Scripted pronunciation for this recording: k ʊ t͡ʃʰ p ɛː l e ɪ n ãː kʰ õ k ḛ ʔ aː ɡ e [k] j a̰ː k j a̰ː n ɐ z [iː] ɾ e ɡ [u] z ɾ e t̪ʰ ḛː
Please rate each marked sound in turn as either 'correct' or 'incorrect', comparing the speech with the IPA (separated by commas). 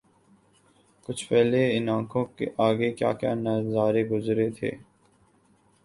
correct, incorrect, incorrect